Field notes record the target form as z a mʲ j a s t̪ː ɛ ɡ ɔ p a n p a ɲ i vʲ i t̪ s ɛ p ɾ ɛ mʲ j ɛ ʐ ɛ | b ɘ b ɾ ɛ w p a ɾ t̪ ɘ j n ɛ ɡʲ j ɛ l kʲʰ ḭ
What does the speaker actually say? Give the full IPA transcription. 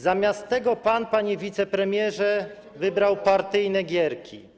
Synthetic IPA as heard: z a mʲ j a s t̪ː ɛ ɡ ɔ p a n p a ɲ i vʲ i t̪ s ɛ p ɾ ɛ mʲ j ɛ ʐ ɛ | v ɘ b ɾ a w p a ɾ t̪ ɘ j n ɛ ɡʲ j ɛ ɾ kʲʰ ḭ